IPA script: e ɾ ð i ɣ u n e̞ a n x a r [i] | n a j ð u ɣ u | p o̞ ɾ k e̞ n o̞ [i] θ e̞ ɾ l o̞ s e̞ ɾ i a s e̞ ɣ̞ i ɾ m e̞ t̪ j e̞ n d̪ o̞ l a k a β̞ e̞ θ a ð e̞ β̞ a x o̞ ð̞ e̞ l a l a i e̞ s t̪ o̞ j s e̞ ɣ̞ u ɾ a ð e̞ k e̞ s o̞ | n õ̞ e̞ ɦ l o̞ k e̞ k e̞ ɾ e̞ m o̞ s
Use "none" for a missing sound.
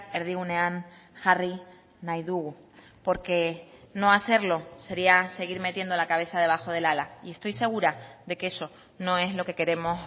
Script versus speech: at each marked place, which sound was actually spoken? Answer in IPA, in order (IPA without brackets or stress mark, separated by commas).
i, a